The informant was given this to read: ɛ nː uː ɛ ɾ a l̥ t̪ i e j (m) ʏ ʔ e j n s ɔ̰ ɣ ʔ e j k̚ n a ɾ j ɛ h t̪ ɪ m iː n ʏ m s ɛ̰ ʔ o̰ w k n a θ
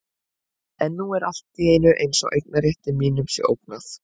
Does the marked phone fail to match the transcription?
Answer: yes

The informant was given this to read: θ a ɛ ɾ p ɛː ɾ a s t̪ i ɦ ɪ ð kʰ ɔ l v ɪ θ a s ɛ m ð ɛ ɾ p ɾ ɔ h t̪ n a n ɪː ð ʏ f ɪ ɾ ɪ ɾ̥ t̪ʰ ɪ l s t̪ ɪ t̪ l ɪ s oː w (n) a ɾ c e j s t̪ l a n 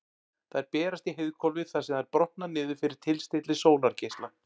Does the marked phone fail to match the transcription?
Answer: no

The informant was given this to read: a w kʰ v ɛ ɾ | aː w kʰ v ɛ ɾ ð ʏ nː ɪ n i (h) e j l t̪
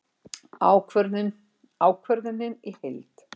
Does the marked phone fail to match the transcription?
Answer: no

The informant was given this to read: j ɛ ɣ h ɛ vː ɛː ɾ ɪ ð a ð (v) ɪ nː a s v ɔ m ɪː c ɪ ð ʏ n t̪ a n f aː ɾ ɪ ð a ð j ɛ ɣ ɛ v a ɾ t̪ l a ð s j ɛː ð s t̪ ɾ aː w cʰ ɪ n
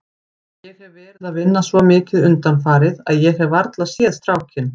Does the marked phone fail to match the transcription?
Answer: no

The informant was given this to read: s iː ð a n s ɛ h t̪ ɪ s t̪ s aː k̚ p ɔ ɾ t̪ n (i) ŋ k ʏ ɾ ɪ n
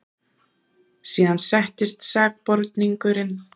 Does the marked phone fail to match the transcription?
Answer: no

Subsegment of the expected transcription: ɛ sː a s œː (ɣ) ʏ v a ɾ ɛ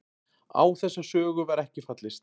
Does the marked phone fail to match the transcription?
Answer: no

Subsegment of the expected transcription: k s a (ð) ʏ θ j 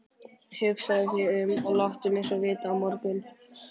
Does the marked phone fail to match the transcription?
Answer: no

